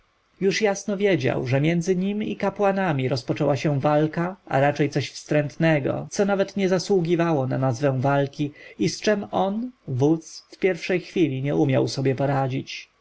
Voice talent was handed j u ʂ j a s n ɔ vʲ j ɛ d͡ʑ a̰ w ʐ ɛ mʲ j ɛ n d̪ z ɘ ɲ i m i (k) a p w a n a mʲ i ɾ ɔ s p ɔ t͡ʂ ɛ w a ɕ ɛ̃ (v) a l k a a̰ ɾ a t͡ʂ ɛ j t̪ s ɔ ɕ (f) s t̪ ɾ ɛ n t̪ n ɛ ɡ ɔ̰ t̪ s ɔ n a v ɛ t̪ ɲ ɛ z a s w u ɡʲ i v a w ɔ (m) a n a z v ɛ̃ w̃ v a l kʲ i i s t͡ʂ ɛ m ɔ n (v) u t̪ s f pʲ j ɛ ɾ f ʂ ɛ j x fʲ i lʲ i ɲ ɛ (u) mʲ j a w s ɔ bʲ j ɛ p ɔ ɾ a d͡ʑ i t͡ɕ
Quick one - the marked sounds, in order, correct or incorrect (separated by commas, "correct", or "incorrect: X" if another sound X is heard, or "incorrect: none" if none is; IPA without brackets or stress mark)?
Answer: correct, correct, correct, incorrect: n, correct, correct